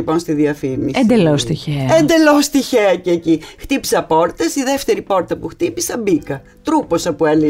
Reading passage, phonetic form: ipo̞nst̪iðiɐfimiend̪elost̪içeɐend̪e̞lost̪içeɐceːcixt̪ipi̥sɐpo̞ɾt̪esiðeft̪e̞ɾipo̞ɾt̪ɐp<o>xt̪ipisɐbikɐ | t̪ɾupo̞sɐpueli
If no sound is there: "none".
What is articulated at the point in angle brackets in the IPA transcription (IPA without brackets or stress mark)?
u